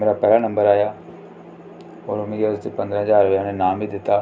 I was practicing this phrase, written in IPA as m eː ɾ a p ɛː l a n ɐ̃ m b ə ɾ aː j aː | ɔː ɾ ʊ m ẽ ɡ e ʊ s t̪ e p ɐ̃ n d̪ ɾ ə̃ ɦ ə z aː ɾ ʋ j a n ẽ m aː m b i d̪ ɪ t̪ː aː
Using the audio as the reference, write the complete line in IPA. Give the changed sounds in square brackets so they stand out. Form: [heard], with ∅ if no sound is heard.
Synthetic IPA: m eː ɾ a p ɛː l a n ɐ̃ m b ə ɾ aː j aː | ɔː ɾ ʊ m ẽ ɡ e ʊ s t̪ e p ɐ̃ n d̪ ɾ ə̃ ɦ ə z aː ɾ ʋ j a n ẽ [n] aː m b i d̪ ɪ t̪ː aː